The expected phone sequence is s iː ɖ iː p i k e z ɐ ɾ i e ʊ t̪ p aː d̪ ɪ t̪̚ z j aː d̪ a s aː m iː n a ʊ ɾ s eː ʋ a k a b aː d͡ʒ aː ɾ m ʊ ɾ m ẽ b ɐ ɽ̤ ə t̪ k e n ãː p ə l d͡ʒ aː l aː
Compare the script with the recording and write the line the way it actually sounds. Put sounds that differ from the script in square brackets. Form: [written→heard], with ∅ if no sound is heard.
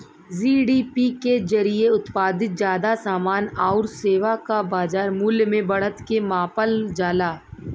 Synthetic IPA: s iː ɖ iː p i k e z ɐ ɾ i e ʊ t̪ p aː d̪ ɪ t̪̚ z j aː d̪ a s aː m [iː→aː] n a ʊ ɾ s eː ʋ a k a b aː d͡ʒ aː ɾ m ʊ [ɾ→l] m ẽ b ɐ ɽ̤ ə t̪ k e [n→m] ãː p ə l d͡ʒ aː l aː